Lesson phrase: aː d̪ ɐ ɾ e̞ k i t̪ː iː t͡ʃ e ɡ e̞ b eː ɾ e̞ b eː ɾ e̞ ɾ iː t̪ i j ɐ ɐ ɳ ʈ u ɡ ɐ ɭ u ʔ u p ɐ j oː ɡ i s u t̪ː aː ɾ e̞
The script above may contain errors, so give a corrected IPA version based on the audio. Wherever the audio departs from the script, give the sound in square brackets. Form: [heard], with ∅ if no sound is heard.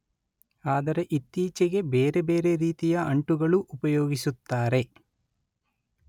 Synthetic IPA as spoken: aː d̪ ɐ ɾ e̞ [ʔ] i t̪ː iː t͡ʃ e ɡ e̞ b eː ɾ e̞ b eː ɾ e̞ ɾ iː t̪ i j ɐ ɐ ɳ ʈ u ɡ ɐ ɭ u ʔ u p ɐ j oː ɡ i s u t̪ː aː ɾ e̞